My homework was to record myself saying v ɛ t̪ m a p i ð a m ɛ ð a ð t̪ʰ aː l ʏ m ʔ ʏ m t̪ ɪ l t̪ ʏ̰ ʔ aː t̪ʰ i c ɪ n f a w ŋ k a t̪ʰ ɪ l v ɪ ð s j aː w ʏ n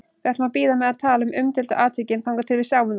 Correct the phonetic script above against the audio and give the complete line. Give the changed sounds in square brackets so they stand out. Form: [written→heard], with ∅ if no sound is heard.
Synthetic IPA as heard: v ɛ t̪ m a p [i→iː] ð a m ɛ ð a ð t̪ʰ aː l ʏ m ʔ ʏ m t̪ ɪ l t̪ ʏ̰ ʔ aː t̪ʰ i c ɪ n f a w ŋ k a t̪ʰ ɪ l v ɪ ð s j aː w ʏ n